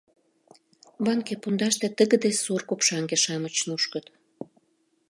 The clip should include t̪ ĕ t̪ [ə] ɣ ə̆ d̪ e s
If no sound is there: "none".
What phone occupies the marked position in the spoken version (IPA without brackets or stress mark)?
ə